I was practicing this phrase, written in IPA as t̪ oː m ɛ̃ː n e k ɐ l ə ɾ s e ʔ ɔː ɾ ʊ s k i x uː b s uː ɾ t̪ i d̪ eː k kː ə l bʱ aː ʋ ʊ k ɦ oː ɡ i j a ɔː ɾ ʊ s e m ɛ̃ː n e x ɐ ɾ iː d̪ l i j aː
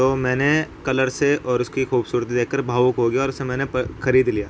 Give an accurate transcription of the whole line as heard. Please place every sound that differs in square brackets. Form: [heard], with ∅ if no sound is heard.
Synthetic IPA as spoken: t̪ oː m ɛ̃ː n e k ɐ l ə ɾ s e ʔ ɔː ɾ ʊ s k i x uː b s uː ɾ t̪ i d̪ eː k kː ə [ɾ] bʱ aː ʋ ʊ k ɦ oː ɡ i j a ɔː ɾ ʊ s e m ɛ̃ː n e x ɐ ɾ iː d̪ l i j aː